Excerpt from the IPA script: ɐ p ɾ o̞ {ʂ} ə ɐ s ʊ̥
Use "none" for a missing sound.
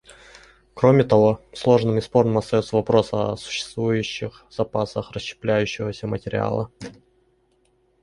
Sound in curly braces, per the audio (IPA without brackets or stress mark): s